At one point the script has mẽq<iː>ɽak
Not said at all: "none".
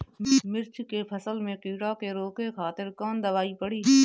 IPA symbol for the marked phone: iː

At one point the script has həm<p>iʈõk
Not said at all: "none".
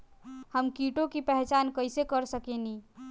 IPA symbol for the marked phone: k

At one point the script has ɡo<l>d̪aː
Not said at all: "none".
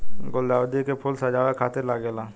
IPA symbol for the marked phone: l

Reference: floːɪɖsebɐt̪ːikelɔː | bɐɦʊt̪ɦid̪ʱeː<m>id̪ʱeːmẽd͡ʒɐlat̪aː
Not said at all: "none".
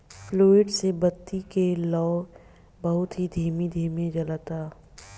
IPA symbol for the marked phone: m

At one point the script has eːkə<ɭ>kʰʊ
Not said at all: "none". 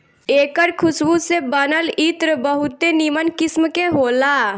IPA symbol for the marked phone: ɾ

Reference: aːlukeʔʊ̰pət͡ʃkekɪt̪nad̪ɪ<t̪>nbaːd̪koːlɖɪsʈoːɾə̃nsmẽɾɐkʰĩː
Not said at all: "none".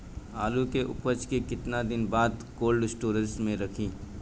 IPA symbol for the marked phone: none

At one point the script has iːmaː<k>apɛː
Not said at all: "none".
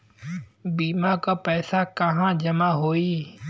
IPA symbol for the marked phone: k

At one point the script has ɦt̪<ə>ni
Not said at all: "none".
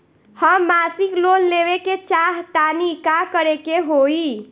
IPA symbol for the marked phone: a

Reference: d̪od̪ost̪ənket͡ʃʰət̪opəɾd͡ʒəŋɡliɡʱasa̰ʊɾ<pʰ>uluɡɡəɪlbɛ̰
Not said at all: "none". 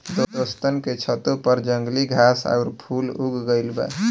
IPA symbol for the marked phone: pʰ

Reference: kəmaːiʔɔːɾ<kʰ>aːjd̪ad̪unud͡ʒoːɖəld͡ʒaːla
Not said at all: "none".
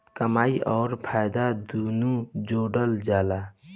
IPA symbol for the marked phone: pʰ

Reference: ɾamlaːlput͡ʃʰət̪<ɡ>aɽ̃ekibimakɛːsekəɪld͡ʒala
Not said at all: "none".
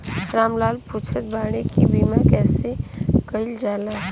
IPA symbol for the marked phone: b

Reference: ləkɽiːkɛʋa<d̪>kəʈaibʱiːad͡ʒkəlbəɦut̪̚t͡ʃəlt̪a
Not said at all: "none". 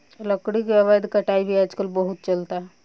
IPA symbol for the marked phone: d̪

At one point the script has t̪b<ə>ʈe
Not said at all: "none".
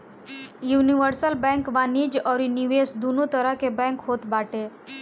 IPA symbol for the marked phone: a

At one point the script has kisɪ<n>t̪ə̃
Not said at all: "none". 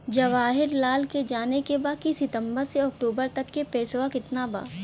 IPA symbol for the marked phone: none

